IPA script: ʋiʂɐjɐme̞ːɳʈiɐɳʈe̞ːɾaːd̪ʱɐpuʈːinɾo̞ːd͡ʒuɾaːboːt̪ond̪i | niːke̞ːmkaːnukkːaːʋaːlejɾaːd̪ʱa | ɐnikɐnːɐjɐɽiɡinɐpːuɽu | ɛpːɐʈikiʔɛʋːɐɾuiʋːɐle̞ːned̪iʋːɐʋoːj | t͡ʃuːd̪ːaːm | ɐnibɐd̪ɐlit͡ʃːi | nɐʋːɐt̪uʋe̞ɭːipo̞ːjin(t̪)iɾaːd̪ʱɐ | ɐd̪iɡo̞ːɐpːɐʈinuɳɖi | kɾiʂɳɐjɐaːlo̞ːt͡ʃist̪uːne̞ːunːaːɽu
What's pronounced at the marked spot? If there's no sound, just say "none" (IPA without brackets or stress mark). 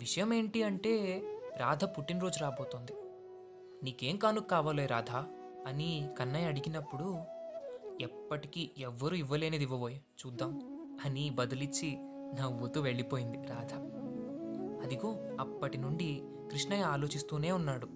d̪